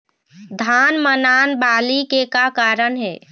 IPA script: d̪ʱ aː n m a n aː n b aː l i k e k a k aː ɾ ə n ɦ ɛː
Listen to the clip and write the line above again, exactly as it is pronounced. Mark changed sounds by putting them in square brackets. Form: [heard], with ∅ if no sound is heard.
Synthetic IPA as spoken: d̪ʱ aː n m [ə] n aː n b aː l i k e k a k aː ɾ ə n ɦ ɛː